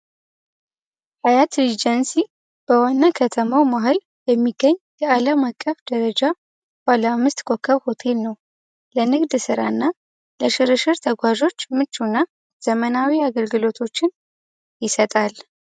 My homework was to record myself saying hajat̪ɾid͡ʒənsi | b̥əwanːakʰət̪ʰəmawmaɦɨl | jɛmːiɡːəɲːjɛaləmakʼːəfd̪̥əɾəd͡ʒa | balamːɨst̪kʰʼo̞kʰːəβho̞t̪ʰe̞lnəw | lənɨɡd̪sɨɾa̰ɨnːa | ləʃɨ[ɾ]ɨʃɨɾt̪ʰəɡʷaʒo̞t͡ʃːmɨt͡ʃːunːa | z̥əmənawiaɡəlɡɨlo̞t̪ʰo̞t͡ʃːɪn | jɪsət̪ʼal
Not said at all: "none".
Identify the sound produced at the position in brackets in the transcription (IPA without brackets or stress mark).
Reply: ɾ